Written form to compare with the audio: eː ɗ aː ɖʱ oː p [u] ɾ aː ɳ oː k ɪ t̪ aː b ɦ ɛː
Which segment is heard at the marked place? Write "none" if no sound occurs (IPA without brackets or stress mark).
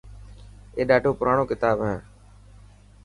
ʊ